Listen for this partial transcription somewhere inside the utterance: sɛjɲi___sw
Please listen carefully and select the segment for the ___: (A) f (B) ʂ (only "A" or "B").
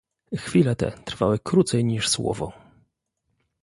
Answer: B